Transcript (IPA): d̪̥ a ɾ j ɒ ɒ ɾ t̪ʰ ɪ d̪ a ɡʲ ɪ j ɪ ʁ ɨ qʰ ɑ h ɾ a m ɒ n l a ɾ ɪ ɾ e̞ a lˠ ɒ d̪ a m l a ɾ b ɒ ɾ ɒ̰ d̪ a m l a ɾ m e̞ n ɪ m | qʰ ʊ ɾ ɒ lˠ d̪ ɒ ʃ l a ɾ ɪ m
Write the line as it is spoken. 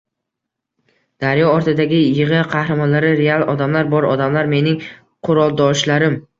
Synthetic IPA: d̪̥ a ɾ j ɒ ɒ ɾ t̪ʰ ɪ d̪ a ɡʲ ɪ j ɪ ʁ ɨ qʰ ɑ h ɾ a m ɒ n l a ɾ ɪ ɾ e̞ a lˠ ɒ d̪ a m l a ɾ b ɒ ɾ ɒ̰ d̪ a m l a ɾ m e̞ n ɪ ŋ | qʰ ʊ ɾ ɒ lˠ d̪ ɒ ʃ l a ɾ ɪ m